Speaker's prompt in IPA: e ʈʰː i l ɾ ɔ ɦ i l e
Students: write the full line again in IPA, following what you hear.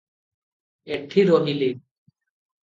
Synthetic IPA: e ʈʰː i ɾ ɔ ɦ i l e